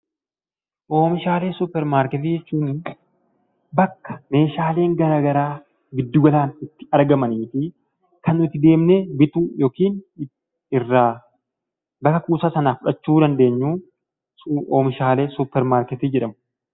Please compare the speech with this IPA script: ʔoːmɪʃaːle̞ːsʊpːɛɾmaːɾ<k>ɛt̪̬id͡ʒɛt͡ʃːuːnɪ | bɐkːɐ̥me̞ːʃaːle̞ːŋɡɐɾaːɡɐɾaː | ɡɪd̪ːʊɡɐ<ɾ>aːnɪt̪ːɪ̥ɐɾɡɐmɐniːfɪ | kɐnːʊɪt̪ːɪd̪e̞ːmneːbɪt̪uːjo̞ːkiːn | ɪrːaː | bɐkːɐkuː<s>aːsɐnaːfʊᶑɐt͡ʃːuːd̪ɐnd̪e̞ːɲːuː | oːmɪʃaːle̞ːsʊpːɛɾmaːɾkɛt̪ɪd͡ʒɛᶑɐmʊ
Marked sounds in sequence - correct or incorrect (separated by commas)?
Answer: correct, incorrect, correct